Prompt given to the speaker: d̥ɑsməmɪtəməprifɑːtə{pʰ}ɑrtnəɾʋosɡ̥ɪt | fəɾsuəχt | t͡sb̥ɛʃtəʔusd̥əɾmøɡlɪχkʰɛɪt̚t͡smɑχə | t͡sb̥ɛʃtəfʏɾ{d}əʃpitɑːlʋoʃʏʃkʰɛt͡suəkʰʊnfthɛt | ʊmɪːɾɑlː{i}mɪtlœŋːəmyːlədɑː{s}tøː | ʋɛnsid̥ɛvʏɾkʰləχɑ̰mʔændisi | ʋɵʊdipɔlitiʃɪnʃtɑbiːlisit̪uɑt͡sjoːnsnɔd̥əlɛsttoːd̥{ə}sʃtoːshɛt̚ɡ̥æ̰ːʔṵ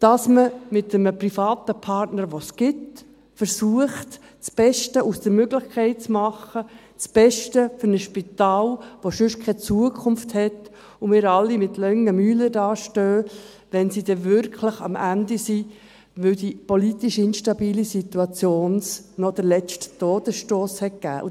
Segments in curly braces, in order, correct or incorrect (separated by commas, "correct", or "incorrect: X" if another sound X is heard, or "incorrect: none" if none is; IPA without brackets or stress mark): correct, incorrect: n, correct, incorrect: ʃ, correct